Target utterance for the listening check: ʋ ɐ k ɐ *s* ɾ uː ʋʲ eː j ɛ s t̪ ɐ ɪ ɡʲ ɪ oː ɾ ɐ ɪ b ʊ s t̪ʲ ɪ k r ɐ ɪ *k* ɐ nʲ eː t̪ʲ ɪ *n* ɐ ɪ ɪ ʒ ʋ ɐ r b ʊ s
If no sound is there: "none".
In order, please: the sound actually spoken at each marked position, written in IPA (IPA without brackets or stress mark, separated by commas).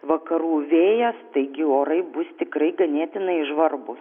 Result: none, ɡ, n